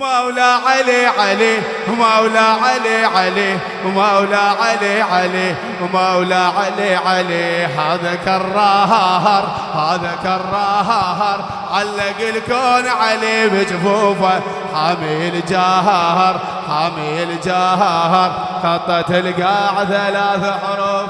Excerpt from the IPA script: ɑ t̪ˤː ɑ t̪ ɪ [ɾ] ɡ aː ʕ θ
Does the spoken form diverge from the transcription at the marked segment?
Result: yes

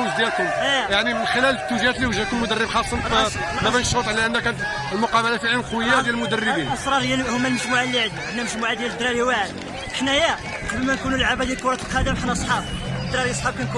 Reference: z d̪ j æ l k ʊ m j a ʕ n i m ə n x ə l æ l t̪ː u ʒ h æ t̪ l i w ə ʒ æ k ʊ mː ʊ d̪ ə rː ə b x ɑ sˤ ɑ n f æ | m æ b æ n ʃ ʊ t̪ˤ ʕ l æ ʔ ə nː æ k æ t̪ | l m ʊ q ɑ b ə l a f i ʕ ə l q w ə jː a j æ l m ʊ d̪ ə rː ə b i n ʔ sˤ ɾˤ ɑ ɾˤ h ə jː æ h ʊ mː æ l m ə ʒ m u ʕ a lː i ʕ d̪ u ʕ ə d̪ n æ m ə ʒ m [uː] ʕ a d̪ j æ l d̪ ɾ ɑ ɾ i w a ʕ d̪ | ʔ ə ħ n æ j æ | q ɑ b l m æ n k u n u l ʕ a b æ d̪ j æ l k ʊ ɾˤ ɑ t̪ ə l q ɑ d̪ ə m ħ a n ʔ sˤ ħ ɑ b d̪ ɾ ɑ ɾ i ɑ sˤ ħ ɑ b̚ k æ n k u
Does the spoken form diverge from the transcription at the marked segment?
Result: yes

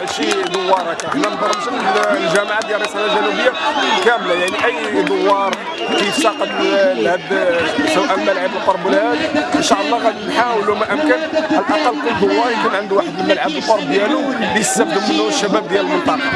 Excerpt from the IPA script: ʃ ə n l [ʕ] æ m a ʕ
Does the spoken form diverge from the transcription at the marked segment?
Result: yes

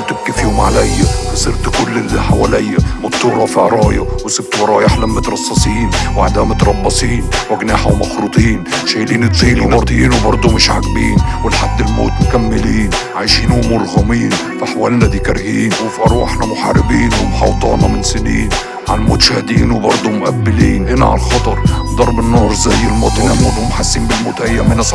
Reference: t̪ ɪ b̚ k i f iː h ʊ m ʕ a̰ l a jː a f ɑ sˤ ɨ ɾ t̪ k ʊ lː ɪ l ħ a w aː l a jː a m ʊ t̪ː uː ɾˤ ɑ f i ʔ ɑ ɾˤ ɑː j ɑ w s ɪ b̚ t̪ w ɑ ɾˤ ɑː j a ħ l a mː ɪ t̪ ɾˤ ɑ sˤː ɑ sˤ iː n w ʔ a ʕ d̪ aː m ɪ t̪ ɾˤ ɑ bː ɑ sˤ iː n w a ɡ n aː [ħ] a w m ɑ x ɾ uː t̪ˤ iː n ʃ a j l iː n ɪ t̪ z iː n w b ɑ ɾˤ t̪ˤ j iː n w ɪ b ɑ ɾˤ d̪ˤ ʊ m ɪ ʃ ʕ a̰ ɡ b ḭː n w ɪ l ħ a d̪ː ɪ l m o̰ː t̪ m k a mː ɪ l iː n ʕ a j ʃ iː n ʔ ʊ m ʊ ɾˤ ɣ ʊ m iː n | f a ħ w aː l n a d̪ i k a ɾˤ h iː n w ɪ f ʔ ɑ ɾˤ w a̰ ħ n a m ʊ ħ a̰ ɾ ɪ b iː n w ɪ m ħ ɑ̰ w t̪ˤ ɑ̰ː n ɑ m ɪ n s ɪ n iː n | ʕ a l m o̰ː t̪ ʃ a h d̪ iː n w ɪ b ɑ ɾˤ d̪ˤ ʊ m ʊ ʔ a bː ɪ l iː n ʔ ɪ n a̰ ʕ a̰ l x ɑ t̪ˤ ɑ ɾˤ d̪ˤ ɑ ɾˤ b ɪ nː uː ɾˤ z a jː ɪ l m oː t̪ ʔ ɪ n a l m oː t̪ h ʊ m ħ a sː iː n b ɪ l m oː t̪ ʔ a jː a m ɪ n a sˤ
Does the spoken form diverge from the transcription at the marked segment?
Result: no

